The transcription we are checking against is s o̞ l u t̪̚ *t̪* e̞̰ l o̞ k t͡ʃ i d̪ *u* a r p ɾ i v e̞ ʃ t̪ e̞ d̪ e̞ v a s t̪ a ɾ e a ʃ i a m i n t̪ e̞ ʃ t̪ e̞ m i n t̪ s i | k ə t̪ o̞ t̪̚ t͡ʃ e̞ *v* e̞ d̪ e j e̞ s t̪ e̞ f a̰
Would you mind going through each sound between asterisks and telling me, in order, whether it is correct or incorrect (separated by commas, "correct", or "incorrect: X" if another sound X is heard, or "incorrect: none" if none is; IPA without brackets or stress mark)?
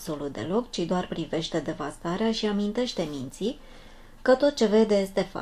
incorrect: d̪, incorrect: o, correct